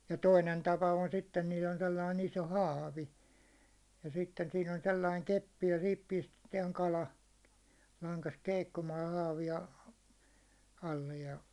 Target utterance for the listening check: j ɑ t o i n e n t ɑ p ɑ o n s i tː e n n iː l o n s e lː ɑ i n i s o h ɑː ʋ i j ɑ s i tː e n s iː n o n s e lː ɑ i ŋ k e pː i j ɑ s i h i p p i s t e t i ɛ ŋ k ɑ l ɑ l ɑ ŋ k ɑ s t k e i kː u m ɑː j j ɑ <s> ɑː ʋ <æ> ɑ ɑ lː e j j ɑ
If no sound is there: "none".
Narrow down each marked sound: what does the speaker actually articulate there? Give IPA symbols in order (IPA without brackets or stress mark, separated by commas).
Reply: h, i